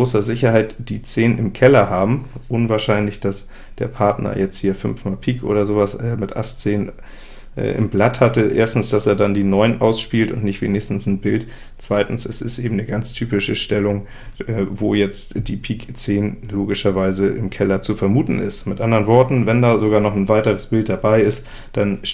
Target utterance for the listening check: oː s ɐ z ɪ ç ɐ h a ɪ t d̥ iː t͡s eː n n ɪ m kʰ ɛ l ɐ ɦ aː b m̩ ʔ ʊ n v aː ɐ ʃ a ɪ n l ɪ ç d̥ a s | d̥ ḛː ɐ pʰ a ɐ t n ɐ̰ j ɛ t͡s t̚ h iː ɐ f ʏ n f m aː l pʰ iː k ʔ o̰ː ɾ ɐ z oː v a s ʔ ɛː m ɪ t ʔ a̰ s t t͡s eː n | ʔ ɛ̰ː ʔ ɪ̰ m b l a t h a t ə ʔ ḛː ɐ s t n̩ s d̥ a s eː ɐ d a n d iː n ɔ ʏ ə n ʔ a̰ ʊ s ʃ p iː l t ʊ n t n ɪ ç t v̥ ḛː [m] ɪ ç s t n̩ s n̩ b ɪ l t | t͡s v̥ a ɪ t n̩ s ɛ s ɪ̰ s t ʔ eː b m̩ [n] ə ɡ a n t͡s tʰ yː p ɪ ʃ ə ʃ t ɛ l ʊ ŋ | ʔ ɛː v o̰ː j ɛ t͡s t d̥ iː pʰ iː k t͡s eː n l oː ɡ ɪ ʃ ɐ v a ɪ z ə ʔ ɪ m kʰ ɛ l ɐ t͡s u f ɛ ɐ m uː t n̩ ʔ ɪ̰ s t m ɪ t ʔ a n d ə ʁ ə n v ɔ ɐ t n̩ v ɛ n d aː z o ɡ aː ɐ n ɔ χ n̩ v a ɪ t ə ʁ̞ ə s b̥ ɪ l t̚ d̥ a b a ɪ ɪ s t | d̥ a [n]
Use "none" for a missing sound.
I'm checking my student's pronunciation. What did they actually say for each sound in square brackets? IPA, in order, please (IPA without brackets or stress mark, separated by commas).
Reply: n, n, n